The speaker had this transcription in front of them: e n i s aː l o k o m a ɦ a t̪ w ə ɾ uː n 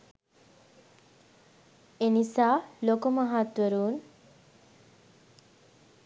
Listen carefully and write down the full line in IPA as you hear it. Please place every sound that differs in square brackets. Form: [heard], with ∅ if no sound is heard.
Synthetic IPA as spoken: e n i s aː l o k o m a ɦ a t̪ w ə ɾ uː n